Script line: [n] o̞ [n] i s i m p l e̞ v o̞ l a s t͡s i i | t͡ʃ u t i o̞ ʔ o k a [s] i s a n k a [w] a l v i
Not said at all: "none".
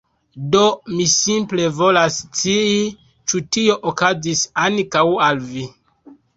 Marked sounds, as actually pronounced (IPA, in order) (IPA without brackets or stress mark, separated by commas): d, m, z, w